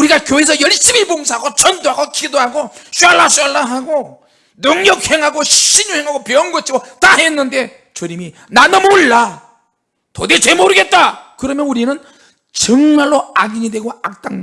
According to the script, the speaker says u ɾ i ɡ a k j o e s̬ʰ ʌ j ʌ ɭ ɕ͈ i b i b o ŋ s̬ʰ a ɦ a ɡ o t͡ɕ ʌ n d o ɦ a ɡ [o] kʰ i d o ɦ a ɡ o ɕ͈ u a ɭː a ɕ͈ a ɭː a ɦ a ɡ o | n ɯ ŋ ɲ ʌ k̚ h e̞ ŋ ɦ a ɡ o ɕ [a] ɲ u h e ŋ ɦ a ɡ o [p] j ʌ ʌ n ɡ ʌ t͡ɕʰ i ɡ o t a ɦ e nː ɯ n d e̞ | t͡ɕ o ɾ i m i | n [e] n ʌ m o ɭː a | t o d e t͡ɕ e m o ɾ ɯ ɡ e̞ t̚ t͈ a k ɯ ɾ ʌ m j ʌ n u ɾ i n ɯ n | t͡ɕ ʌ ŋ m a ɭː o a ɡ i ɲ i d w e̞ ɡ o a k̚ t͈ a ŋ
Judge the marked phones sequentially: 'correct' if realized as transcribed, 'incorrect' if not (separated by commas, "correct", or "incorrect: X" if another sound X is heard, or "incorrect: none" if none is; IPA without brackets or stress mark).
correct, incorrect: i, correct, incorrect: a